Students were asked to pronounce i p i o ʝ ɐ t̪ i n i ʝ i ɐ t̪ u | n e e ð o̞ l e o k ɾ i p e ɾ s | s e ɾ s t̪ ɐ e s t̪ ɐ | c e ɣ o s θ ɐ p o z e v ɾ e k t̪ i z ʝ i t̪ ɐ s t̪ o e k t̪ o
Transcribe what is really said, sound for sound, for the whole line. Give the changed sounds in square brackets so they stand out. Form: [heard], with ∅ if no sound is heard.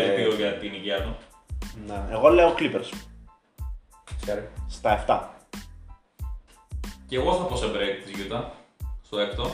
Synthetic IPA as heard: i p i o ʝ ɐ t̪ i n i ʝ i ɐ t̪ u | n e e [ɣ] o̞ l e o k [l] i p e ɾ s | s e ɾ s t̪ ɐ e [f] t̪ ɐ | c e ɣ o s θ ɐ p o [s] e [b] ɾ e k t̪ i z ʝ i t̪ ɐ s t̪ o e k t̪ o